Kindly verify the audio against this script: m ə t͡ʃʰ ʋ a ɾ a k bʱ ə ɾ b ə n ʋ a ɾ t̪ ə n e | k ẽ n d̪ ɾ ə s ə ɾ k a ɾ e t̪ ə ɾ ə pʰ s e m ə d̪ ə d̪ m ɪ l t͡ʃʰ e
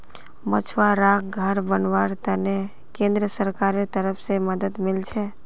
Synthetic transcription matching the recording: m ə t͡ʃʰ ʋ a ɾ a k ɡʱ ə ɾ b ə n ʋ a ɾ t̪ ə n e | k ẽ n d̪ ɾ ə s ə ɾ k a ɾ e t̪ ə ɾ ə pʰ s e m ə d̪ ə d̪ m ɪ l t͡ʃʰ e